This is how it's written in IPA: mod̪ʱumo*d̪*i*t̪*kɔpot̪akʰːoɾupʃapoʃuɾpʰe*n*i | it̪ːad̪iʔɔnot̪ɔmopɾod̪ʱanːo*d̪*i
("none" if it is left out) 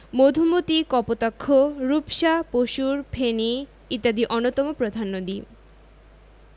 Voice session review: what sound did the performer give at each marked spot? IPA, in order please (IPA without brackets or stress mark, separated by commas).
t̪, none, n, d̪